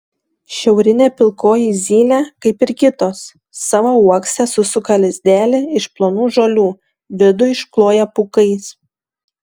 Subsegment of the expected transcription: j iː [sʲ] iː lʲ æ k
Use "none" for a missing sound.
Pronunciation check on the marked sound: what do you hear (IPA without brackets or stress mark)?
zʲ